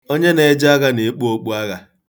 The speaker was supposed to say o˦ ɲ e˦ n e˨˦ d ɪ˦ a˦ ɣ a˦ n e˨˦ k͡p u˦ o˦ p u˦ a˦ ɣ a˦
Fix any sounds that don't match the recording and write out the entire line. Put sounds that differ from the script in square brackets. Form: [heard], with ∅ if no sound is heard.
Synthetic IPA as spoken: o˦ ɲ e˦ n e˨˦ [d͡ʒ] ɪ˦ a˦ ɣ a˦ n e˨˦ k͡p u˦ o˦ [k͡p] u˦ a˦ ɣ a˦

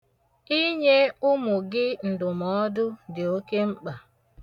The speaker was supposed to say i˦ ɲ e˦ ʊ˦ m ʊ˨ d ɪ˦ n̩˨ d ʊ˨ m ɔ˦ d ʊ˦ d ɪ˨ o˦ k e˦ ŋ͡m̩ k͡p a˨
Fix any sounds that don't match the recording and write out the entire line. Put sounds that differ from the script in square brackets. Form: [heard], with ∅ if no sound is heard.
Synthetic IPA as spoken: i˦ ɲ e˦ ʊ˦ m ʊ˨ [ɡ] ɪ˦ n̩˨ d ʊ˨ m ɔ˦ d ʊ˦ d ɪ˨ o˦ k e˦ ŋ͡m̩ k͡p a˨

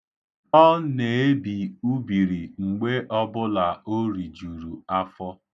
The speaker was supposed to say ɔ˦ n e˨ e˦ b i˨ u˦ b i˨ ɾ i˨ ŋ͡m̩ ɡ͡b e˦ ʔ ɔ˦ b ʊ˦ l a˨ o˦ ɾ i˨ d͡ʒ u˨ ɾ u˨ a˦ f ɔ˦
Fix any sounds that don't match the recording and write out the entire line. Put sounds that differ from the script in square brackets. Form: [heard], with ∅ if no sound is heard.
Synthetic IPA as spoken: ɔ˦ n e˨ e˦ b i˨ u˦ b i˨ ɾ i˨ ŋ͡m̩ ɡ͡b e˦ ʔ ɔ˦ b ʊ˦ l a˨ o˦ ɾ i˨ d͡ʒ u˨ ɾ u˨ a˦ f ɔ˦

